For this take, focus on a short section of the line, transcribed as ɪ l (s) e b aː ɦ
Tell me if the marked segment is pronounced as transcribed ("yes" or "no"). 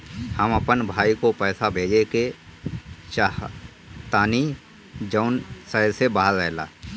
yes